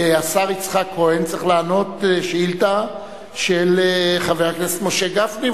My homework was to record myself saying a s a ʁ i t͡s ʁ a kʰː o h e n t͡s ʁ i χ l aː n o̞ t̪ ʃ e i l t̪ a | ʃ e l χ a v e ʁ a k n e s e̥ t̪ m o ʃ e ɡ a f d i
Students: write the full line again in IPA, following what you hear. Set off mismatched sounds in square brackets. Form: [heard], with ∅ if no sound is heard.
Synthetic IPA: a s a ʁ i t͡s [χ] a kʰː o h e n t͡s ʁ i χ l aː n o̞ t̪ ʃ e i l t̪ a | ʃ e l χ a v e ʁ a k n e s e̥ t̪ m o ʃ e ɡ a f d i